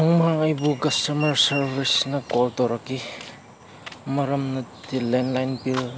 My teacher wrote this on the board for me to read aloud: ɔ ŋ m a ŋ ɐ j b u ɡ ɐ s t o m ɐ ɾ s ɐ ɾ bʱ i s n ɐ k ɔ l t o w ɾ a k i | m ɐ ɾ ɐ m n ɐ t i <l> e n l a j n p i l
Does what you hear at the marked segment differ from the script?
no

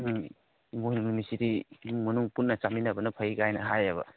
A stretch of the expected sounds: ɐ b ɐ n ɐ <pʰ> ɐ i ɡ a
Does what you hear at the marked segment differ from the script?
no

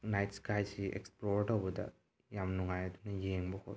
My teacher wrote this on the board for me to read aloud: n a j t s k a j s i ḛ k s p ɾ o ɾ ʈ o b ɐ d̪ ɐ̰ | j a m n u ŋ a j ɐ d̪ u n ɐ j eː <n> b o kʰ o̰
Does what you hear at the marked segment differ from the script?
yes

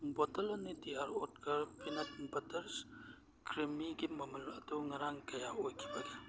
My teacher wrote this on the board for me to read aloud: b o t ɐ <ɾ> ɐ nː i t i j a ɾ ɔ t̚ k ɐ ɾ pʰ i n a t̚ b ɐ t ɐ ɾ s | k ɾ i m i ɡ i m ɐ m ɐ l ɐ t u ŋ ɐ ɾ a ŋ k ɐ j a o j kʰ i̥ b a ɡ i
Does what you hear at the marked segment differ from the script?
yes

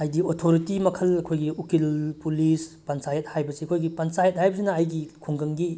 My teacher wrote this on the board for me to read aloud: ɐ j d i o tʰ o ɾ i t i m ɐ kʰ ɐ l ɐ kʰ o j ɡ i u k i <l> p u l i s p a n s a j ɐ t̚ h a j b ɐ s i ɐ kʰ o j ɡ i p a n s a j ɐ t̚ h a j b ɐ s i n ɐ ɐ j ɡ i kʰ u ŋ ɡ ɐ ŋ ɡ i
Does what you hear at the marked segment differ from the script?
no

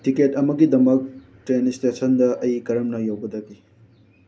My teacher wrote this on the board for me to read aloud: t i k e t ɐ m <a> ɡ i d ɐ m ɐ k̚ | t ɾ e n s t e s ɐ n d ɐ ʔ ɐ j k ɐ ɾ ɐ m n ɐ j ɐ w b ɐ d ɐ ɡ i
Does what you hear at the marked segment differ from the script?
yes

